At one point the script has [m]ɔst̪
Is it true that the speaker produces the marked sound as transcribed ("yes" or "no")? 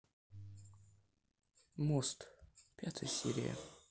yes